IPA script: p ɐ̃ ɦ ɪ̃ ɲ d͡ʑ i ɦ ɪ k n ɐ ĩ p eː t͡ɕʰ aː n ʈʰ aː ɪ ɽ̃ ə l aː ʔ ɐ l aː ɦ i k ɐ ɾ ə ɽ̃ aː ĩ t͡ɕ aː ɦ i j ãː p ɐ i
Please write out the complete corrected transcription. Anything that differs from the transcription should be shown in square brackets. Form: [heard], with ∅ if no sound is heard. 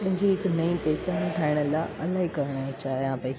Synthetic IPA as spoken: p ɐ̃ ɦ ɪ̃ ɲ d͡ʑ i ɦ ɪ k n ɐ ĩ p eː [t͡ɕ] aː n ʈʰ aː ɪ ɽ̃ ə l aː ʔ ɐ l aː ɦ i k ɐ ɾ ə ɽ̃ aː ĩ t͡ɕ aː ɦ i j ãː p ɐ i